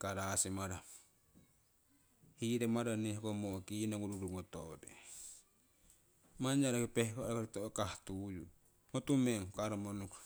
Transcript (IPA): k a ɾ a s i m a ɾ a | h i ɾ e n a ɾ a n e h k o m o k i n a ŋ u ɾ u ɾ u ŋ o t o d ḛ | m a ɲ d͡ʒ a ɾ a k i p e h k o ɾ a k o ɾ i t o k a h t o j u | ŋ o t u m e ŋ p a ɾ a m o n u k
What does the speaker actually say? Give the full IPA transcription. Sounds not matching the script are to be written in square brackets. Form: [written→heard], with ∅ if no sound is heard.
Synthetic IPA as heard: k a ɾ a s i m a ɾ a | h i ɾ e [n→m] a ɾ a n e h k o m o k i n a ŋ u ɾ u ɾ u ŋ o t o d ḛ | m a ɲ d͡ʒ a ɾ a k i p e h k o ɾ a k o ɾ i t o k a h t [o→u] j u | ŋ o t u m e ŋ [p→k] a ɾ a m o n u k